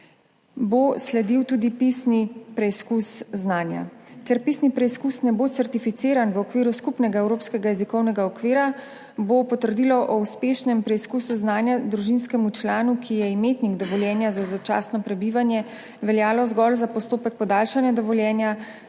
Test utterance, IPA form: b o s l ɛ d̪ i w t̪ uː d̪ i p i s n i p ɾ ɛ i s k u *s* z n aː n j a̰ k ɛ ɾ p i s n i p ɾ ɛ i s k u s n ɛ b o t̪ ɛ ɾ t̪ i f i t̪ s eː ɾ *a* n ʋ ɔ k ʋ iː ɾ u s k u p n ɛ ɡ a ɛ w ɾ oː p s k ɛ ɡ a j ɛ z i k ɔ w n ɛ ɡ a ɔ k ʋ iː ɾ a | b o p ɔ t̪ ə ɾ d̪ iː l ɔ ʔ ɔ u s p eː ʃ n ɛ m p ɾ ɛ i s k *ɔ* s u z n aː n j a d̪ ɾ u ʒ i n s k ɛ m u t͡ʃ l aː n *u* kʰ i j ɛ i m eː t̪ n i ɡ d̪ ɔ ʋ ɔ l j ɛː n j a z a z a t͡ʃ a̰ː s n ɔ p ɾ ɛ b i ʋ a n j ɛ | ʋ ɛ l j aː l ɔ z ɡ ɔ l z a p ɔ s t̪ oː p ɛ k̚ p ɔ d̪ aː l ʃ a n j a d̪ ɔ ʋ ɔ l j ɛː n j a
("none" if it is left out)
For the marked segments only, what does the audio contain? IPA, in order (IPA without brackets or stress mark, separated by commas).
s, a, u, u